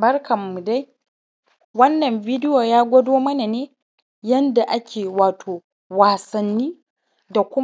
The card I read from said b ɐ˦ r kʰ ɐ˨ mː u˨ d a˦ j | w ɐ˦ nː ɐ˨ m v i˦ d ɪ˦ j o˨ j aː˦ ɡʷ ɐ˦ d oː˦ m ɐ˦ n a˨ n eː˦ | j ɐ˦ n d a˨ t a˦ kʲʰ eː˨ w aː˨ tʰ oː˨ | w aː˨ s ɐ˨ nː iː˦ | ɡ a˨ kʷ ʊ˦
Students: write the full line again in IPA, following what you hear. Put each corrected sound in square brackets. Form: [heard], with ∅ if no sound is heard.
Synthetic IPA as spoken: b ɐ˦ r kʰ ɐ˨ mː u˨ d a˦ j | w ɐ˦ nː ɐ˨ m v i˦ d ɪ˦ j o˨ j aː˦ ɡʷ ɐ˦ d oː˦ m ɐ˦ n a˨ n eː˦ | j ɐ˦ n d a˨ [ʔ] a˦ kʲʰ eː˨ w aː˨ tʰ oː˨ | w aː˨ s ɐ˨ nː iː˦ | [d] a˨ kʷ ʊ˦